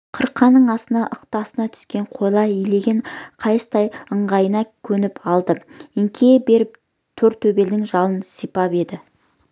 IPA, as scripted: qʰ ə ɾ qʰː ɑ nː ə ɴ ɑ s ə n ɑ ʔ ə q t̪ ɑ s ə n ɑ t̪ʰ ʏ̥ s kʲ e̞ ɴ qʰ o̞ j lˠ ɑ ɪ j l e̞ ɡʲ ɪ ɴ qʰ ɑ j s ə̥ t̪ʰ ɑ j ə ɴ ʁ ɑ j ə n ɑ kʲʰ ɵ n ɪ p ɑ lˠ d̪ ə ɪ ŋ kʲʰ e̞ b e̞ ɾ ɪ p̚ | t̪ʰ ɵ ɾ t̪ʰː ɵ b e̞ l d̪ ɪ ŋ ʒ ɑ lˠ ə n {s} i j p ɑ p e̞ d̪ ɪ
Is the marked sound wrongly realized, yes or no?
no